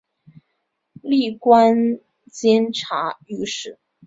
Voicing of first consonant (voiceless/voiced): voiced